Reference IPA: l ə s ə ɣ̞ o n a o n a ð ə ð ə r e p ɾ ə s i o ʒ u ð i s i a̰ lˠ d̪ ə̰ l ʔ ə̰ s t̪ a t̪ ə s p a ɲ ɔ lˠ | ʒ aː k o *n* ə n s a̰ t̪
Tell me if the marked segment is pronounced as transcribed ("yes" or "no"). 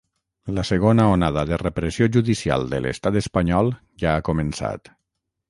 no